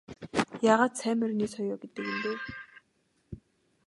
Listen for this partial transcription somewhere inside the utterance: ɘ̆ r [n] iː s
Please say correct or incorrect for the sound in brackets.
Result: correct